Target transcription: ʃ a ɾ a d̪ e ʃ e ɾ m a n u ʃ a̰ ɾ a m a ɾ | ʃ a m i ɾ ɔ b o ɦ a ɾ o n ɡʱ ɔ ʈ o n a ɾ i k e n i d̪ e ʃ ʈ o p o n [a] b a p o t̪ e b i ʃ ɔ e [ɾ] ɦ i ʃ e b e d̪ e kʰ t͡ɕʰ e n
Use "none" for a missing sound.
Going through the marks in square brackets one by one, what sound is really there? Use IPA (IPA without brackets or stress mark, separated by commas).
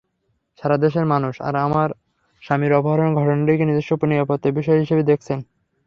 i, none